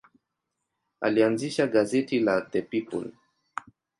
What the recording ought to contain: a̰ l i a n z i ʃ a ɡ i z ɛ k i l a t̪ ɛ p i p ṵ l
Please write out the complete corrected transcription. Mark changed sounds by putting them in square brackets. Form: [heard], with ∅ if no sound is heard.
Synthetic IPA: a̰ l i a n z i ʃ a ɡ [a] z ɛ [t] i l a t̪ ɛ p i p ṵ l